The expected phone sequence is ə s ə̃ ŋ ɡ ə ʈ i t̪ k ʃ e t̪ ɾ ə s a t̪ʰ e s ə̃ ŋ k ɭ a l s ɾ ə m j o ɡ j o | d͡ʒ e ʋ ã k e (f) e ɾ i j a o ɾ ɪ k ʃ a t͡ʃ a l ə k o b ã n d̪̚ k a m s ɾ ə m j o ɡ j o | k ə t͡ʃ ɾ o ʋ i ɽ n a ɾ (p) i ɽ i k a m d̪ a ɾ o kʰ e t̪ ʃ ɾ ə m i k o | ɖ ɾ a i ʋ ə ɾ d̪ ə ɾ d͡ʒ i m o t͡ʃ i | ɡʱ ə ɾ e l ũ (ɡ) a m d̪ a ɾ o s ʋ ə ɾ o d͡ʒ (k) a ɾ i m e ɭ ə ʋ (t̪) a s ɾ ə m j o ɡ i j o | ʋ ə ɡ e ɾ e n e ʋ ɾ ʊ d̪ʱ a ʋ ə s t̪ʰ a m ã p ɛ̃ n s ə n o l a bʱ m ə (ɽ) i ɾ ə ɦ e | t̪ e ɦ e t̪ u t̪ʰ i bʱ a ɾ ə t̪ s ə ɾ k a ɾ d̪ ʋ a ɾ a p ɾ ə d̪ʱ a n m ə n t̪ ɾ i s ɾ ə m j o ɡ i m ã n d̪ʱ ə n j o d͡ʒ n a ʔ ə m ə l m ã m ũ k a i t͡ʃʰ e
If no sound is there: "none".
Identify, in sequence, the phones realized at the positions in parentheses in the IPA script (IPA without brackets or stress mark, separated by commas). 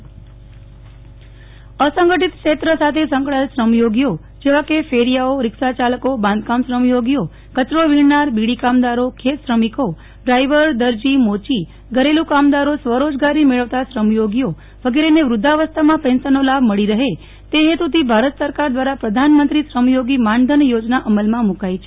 f, b, k, ɡ, t̪, ɭ